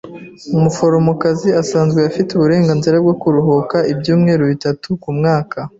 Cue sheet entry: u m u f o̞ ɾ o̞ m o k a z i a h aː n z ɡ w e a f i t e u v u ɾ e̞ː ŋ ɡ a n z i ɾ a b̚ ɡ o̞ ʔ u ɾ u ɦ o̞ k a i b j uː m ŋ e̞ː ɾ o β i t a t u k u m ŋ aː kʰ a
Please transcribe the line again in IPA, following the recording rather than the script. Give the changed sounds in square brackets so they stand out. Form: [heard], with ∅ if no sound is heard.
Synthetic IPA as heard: u m u f o̞ ɾ o̞ m o k a z i a [s] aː n z ɡ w e a f i t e u [β] u ɾ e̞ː ŋ ɡ a n z i ɾ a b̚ ɡ o̞ [k] u ɾ u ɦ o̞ k a i b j uː m ŋ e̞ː ɾ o β i t a t u k u m ŋ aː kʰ a